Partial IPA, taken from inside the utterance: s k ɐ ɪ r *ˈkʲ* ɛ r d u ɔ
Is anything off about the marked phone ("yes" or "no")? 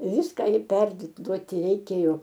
yes